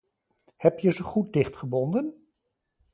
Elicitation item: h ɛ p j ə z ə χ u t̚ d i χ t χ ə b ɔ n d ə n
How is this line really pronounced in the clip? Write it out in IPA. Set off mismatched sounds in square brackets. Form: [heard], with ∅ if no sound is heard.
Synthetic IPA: h ɛ p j ə z ə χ u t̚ d [ɪ] χ t χ ə b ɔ n d ə n